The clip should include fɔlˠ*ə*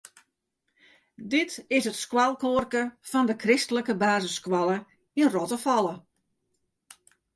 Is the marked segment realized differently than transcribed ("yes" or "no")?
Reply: no